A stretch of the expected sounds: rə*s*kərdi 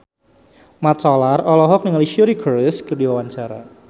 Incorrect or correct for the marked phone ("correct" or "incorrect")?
correct